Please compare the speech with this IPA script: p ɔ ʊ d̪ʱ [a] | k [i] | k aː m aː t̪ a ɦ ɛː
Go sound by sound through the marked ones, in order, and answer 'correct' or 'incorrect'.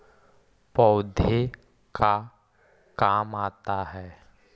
incorrect, incorrect

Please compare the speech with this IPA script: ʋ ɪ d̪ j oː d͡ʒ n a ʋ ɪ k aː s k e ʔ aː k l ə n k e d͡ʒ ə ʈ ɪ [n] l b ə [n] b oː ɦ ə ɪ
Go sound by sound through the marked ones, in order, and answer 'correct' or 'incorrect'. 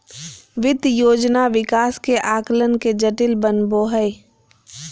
incorrect, correct

